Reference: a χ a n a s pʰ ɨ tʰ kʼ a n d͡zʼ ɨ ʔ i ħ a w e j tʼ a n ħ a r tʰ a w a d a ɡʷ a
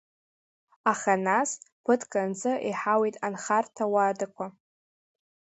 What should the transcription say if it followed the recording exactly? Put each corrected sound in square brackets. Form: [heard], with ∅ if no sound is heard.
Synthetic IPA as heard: a χ a n a s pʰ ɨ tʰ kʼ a n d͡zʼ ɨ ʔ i ħ a w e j tʼ a n [χ] a r tʰ a w a d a [kʷ] a